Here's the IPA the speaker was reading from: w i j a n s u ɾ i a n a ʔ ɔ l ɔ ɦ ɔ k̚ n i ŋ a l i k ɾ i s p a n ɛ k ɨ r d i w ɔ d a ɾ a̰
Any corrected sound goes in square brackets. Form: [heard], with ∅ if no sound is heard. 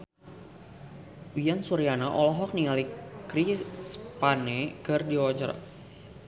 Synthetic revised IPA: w i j a n s u ɾ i a n a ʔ ɔ l ɔ ɦ ɔ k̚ n i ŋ a l i k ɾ i s p a n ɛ k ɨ r d i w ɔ [d͡ʒ] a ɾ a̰